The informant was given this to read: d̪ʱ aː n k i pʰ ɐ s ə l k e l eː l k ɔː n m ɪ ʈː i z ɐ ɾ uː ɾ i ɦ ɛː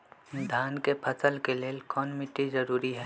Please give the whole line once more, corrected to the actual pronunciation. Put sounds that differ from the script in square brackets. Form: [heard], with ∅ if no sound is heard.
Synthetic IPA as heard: d̪ʱ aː n k [e] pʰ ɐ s ə l k e l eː l k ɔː n m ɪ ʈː i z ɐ ɾ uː ɾ i ɦ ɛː

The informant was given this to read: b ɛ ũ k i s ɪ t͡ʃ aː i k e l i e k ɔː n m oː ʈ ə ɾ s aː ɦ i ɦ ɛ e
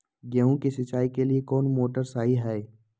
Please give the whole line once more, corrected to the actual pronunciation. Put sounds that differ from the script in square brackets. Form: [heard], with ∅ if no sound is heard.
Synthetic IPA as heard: [ɡ] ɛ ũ k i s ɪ t͡ʃ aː i k e l i e k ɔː n m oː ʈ ə ɾ s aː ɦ i ɦ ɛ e

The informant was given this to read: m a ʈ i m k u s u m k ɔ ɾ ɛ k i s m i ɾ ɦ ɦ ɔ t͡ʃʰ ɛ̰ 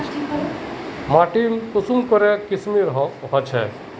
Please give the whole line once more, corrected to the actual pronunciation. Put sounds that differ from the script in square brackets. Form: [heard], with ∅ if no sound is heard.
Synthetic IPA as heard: m a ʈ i m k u s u m k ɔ ɾ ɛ k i s m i ɾ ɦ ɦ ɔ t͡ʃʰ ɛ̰

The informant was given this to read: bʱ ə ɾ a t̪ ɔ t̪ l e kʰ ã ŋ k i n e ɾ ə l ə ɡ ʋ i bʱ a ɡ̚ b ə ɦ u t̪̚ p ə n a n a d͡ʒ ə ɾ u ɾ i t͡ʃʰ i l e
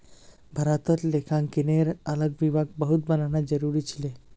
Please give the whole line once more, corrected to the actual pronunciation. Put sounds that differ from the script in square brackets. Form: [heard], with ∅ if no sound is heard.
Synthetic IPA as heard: bʱ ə ɾ a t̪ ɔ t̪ l e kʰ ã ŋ k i n e ɾ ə l ə ɡ ʋ i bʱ a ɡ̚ b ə ɦ u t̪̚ [b] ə n a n a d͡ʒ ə ɾ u ɾ i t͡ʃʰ i l e

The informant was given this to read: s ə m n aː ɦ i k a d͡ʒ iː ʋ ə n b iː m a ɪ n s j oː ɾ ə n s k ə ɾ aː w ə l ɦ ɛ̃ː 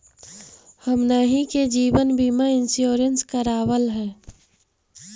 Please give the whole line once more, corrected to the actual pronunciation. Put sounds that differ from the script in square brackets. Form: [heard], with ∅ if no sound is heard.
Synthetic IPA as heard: [h] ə m n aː ɦ i k [e] d͡ʒ iː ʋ ə n b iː m a ɪ n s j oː ɾ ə n s k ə ɾ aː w ə l ɦ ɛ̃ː

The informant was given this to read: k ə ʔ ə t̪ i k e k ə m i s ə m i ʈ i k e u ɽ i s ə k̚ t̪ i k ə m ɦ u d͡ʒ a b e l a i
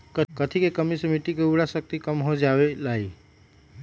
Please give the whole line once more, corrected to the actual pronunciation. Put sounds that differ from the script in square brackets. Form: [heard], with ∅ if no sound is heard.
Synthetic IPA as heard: k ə [k] ə [t̪ʰ] i k e k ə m i s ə m i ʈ i k e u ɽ [a] s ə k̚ t̪ i k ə m ɦ [o] d͡ʒ a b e l a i

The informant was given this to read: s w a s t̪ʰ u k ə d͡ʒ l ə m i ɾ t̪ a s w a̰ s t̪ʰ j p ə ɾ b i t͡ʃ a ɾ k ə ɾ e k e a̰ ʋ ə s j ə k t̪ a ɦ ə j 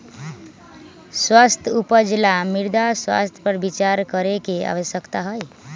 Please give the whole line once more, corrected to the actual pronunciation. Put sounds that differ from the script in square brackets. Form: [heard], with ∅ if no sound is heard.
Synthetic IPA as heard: s w a s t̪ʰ u [p] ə d͡ʒ l [a] m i ɾ [d̪] a s w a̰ s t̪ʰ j p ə ɾ b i t͡ʃ a ɾ k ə ɾ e k e a̰ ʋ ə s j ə k t̪ a ɦ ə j

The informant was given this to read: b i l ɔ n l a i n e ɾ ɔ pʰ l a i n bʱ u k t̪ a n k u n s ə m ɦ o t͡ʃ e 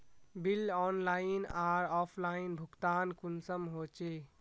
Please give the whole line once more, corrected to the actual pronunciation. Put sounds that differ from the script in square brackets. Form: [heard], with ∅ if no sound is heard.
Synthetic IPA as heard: b i l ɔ n l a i n [a] ɾ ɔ pʰ l a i n bʱ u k t̪ a n k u n s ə m ɦ o t͡ʃ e

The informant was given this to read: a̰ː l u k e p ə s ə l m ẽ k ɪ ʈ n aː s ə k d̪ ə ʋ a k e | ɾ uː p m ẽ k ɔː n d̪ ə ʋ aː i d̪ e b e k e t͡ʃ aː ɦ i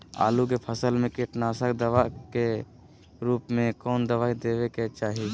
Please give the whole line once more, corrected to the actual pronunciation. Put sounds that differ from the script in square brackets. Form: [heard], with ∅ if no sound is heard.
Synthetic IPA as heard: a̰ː l u k e [pʰ] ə s ə l m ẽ k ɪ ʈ n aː s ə k d̪ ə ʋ a k e | ɾ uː p m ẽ k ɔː n d̪ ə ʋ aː i d̪ e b e k e t͡ʃ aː ɦ i

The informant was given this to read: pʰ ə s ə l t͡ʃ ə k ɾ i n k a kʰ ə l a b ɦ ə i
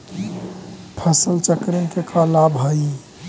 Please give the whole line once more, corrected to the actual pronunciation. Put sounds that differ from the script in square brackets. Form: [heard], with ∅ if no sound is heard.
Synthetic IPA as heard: pʰ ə s ə l t͡ʃ ə k ɾ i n k [e] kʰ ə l a b ɦ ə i

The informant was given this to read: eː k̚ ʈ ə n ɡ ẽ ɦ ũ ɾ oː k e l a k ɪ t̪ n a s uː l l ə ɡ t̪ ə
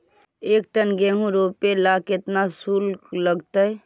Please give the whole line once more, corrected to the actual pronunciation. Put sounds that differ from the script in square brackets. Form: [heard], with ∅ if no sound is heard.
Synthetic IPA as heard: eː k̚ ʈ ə n ɡ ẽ ɦ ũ ɾ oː [p] e l a k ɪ t̪ n a s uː l l ə ɡ t̪ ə

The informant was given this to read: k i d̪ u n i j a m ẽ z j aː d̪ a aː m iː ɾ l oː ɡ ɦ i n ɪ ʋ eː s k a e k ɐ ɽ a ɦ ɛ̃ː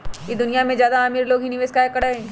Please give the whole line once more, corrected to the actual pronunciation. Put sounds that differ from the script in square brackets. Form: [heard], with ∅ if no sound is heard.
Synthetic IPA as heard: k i d̪ [ʊ] n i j a m ẽ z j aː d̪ a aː m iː ɾ l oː ɡ ɦ i n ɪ ʋ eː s k a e k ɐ ɽ a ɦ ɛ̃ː

